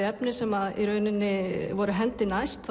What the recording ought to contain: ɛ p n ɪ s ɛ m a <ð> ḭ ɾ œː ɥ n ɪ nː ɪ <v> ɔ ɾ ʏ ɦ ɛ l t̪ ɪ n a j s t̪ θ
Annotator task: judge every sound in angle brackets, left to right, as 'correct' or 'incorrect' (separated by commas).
correct, correct